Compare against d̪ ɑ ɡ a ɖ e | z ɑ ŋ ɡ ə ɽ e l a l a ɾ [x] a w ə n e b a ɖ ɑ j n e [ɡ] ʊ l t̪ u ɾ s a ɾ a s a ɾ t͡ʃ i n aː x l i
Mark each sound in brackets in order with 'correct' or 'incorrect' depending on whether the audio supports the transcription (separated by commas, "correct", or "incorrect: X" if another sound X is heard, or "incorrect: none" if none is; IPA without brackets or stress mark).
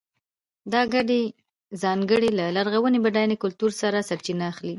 incorrect: ɣ, incorrect: k